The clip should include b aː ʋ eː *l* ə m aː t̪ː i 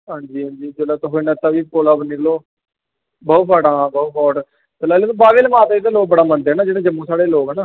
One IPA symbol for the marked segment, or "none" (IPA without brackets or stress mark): l